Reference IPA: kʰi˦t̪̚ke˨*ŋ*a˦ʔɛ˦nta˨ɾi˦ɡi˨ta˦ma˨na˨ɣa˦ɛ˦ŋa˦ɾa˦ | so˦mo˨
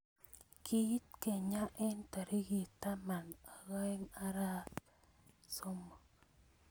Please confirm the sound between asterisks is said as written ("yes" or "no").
no